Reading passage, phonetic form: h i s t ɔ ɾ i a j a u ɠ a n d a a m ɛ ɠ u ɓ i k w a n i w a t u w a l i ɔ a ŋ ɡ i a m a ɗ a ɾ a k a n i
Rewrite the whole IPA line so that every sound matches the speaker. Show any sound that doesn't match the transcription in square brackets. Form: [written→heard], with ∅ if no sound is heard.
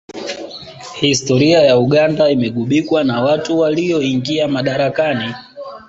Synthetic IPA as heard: h i s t ɔ ɾ i a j a u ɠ a n d a [a→i] m ɛ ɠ u ɓ i k w a n [i→a] w a t u w a l i ɔ [a→i] ŋ ɡ i a m a ɗ a ɾ a k a n i